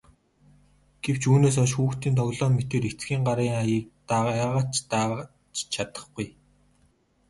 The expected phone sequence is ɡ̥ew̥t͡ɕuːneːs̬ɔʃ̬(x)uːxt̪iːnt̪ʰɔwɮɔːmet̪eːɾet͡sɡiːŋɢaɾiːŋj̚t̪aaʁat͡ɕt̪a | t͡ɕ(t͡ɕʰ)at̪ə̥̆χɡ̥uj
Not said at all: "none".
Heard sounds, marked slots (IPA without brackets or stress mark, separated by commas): x, t͡ɕʰ